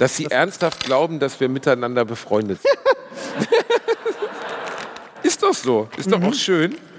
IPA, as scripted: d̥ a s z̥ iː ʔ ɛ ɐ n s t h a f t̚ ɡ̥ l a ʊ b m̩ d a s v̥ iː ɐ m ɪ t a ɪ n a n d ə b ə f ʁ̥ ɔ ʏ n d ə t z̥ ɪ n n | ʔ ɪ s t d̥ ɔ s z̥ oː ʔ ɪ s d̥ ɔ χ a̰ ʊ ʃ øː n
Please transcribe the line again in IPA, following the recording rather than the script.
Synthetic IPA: d̥ a s z̥ iː ʔ ɛ ɐ n s t h a f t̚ ɡ̥ l a ʊ b m̩ d a s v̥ iː ɐ m ɪ t a ɪ n a n d ɐ b ə f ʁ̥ ɔ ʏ n d ə t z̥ ɪ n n | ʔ ɪ s t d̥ ɔ χ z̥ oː ʔ ɪ s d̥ ɔ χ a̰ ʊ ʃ øː n